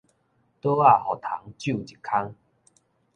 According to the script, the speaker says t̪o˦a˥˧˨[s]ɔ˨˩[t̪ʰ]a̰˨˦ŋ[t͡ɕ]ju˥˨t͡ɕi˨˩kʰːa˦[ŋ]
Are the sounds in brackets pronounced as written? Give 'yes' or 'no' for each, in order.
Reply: no, yes, yes, yes

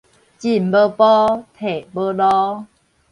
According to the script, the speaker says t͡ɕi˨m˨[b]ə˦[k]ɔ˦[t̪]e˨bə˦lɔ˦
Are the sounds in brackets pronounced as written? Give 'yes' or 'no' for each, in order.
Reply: yes, no, no

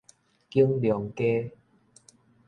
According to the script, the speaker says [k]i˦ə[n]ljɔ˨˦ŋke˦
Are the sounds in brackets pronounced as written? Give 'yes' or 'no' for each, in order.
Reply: yes, no

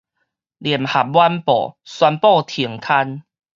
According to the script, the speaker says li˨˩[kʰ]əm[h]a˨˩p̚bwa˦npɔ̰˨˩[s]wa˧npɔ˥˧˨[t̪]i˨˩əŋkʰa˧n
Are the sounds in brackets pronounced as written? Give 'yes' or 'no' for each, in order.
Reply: no, yes, yes, no

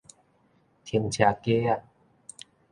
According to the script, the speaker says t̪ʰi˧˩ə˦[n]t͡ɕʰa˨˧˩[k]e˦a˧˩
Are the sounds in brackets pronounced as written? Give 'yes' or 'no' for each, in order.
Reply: no, yes

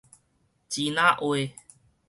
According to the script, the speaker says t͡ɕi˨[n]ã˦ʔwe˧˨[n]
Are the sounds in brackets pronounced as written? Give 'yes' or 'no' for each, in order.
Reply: yes, no

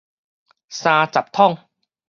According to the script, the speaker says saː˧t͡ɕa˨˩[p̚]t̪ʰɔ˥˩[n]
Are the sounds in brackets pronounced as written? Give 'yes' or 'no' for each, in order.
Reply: yes, no

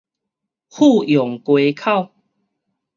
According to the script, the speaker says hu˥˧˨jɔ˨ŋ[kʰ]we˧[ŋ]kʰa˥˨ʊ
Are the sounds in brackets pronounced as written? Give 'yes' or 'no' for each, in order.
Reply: no, no

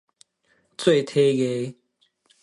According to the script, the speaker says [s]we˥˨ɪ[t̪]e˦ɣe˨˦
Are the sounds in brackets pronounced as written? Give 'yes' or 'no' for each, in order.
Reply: no, no

